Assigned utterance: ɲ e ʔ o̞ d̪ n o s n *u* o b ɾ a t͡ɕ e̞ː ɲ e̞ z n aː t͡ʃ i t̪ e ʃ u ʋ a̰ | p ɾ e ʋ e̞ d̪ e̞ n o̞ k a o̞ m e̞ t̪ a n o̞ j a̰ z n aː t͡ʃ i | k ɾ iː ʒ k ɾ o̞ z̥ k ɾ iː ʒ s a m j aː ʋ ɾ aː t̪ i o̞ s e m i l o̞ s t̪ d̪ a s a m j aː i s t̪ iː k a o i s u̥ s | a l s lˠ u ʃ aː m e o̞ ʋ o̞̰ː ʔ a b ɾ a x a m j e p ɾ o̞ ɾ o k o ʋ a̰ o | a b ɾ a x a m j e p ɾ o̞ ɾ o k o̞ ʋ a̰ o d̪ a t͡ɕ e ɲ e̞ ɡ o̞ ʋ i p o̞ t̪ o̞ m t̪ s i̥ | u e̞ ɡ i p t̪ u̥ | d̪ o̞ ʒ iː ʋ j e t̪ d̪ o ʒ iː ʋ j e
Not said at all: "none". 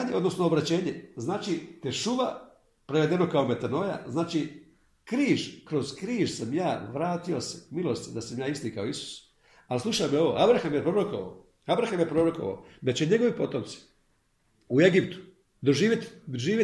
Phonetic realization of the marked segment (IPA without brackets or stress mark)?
o